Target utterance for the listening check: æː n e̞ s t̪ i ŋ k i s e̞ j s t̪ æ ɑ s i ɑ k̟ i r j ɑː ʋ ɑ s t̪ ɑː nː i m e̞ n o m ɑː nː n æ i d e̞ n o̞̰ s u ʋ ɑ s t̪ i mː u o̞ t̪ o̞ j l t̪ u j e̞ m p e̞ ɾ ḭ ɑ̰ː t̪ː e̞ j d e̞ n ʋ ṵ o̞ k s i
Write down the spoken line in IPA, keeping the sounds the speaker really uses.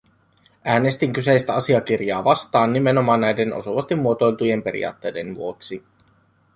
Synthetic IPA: æː n e̞ s t̪ i ŋ k y s e̞ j s t̪ æ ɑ s i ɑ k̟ i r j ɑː ʋ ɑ s t̪ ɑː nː i m e̞ n o m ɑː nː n æ j d e̞ n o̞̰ s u ʋ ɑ s t̪ i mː u o̞ t̪ o̞ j l t̪ u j e̞ m p e̞ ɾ ḭ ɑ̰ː t̪ː e̞ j d e̞ n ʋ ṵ o̞ k s i